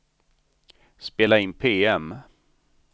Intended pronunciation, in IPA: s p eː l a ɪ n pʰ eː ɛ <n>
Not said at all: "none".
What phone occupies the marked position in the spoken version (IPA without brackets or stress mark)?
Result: m